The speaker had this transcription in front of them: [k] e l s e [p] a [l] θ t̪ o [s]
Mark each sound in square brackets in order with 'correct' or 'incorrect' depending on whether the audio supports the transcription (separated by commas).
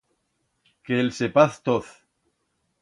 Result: correct, correct, incorrect, incorrect